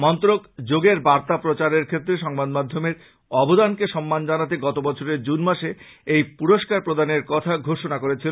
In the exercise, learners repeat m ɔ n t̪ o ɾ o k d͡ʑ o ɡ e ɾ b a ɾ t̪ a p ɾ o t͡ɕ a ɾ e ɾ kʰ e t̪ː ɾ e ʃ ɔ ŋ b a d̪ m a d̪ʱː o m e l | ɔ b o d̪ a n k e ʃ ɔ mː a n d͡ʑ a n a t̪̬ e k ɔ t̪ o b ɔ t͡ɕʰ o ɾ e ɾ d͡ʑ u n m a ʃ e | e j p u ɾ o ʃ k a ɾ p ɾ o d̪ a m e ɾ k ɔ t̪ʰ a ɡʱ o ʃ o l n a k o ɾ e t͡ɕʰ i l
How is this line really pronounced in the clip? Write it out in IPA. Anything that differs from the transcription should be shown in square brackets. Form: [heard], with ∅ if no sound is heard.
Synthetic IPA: m ɔ n t̪ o ɾ o k d͡ʑ o ɡ e ɾ b a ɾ t̪ a p ɾ o t͡ɕ a ɾ e ɾ kʰ e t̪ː ɾ e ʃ ɔ ŋ b a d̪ m a d̪ʱː o m e [ɾ] | ɔ b o d̪ a n k e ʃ ɔ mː a n d͡ʑ a n a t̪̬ e [ɡ] ɔ t̪ o b ɔ t͡ɕʰ o ɾ e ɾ d͡ʑ u n m a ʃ e | e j p u ɾ o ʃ k a ɾ p ɾ o d̪ a [n] e ɾ k ɔ t̪ʰ a ɡʱ o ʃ o [∅] n a k o ɾ e t͡ɕʰ i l